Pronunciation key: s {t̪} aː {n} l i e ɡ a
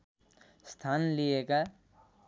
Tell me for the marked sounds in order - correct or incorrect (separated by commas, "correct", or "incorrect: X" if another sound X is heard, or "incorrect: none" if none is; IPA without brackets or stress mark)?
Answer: incorrect: t̪ʰ, correct